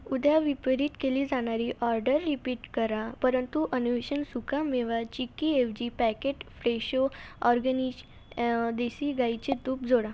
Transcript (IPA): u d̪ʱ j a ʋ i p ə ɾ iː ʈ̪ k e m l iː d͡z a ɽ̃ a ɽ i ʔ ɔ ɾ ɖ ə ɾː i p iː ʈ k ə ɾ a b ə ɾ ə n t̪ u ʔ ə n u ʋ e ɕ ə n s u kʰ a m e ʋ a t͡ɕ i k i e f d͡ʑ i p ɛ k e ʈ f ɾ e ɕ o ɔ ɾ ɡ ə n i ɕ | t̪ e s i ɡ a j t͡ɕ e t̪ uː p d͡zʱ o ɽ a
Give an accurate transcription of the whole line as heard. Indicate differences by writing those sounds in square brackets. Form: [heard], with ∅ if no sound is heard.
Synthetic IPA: u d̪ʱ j a ʋ i p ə ɾ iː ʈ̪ k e [∅] l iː d͡z a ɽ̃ a [ɾ] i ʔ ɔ ɾ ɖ ə ɾː i p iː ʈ k ə ɾ a [p] ə ɾ ə n t̪ u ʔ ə n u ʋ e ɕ ə n s u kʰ a m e ʋ a t͡ɕ i k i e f d͡ʑ i p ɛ k e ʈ f ɾ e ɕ o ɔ ɾ ɡ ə n i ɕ | [d̪] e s i ɡ a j t͡ɕ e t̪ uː p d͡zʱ o ɽ a